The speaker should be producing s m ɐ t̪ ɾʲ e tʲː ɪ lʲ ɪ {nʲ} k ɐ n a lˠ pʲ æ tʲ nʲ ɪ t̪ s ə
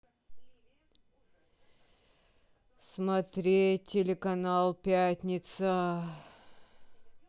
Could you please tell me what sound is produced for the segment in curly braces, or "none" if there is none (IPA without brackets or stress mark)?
none